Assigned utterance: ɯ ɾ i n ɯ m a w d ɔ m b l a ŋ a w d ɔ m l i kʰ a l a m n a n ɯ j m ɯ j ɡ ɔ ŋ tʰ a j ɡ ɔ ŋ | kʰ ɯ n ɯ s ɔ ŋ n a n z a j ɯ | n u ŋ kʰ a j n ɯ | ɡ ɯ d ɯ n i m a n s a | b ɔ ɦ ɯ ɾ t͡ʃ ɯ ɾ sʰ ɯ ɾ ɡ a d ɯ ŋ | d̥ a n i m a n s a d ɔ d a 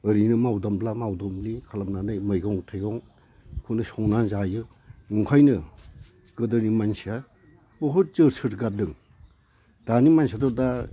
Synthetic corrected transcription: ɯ ɾ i n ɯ m a w d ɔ m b l a m a w d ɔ m l i kʰ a l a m n a n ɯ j m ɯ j ɡ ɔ ŋ tʰ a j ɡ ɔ ŋ | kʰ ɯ n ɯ s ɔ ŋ n a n z a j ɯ | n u ŋ kʰ a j n ɯ | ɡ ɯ d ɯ n i m a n s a | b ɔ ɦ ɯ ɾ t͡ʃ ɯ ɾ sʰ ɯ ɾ ɡ a d ɯ ŋ | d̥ a n i m a n s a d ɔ d a